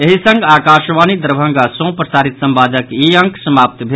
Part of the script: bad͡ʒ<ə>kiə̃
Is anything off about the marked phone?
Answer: no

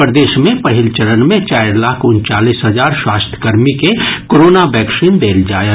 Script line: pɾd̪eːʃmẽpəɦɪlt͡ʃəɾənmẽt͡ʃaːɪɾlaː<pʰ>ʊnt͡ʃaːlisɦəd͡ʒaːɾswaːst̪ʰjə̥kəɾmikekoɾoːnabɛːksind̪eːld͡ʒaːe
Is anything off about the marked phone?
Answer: yes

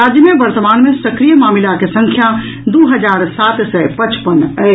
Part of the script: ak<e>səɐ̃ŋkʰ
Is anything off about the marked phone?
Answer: no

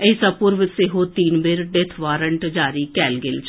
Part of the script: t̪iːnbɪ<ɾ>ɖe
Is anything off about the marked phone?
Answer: no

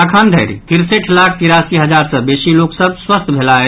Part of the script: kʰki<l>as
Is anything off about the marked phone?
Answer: yes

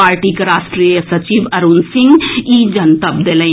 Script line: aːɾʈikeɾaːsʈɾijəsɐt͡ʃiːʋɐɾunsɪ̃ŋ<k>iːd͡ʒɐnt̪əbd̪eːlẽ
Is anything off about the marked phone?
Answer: yes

